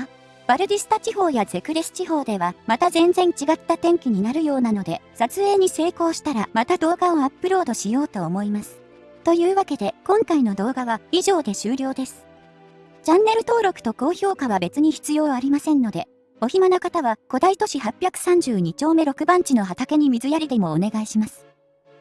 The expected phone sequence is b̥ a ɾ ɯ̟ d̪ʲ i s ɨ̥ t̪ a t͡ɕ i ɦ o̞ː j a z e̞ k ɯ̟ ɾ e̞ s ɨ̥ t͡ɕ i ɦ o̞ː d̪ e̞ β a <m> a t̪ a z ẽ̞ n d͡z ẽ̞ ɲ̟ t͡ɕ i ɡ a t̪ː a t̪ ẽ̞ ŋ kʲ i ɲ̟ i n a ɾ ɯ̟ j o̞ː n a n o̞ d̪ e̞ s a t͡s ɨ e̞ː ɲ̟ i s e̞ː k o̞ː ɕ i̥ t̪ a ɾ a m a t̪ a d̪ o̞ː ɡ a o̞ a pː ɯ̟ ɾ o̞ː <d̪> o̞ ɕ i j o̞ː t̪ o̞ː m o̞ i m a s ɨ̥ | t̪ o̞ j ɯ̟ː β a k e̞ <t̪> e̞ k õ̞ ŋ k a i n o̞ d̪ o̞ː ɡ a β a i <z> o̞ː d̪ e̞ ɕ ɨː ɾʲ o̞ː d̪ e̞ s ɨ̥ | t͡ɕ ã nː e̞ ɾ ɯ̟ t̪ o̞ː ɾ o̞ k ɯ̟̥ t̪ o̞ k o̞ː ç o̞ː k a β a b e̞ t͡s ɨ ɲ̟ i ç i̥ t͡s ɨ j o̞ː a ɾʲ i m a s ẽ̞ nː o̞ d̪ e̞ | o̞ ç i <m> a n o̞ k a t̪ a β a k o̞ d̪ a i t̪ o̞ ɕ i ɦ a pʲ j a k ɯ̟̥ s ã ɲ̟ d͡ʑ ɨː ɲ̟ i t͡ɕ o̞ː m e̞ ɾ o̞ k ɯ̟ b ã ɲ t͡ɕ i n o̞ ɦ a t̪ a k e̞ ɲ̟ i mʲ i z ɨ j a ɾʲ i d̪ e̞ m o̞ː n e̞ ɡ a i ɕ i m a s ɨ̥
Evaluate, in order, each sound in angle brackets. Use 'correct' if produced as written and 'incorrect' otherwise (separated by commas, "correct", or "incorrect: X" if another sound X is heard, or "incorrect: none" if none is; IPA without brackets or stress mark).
correct, correct, incorrect: d̪, incorrect: ʑ, correct